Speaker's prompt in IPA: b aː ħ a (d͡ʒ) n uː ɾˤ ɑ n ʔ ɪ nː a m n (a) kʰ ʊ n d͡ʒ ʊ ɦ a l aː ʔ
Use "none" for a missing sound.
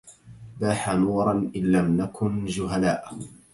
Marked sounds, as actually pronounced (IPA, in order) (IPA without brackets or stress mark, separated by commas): none, a